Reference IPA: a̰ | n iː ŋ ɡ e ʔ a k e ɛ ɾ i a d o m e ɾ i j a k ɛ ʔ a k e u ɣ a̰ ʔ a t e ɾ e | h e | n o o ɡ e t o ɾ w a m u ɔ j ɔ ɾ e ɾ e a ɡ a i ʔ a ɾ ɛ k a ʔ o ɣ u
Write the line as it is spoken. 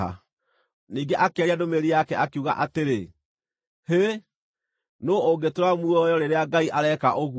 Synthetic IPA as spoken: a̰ | n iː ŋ ɡ e ʔ a k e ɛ ɾ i a d o m e ɾ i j a k ɛ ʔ a k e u ɣ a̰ ʔ a t e ɾ e | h e | n o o ɡ e t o ɾ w a m u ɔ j ɔ ɾ e ɾ e a ɡ a i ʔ a ɾ ɛ k a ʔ o ɣ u